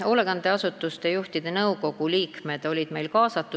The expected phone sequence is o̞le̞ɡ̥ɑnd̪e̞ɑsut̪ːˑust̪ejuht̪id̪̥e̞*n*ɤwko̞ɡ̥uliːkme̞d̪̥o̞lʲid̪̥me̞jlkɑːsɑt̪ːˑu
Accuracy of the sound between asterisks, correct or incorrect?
correct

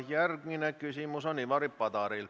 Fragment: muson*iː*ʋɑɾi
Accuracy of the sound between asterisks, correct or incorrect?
incorrect: i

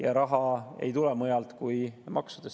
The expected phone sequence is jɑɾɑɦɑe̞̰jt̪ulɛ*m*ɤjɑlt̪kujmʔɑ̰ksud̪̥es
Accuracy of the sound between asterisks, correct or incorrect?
correct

